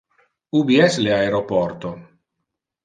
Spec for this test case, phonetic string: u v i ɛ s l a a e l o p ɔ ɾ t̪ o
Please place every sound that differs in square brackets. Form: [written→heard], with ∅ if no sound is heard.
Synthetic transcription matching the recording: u [v→b] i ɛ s l [a→e] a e [l→ɾ] o p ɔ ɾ t̪ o